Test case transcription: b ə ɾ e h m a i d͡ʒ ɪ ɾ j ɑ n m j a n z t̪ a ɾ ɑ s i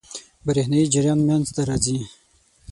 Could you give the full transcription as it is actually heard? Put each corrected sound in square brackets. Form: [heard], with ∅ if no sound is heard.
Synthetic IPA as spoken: b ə ɾ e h [n] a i d͡ʒ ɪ ɾ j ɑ n m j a n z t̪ a ɾ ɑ [z] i